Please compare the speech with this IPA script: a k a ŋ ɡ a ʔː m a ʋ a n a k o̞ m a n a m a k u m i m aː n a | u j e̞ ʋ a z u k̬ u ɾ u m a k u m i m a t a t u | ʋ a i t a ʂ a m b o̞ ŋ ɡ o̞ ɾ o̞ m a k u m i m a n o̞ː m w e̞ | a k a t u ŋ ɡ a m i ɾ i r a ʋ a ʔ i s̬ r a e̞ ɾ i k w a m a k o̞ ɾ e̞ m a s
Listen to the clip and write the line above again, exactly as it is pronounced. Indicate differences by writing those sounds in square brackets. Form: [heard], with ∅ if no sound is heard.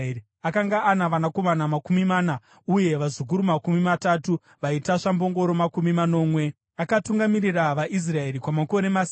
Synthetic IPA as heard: a k a ŋ ɡ a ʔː [n] a ʋ a n a k o̞ m a n a m a k u m i m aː n a | u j e̞ ʋ a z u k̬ u ɾ u m a k u m i m a t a t u | ʋ a i t a ʂ a m b o̞ ŋ ɡ o̞ ɾ o̞ m a k u m i m a n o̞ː m w e̞ | a k a t u ŋ ɡ a m i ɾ i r a ʋ a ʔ i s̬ r a e̞ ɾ i k w a m a k o̞ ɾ e̞ m a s